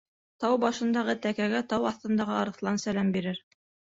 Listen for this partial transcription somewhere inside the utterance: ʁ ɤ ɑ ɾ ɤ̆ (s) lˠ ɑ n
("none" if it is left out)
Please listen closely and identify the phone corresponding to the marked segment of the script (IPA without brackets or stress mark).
θ